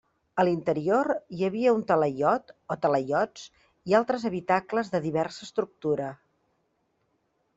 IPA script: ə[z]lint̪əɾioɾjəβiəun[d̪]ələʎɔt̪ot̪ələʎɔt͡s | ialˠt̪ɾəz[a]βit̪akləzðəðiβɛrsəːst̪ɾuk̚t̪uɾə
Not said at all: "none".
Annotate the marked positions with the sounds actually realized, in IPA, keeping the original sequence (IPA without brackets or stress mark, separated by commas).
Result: none, t̪, ə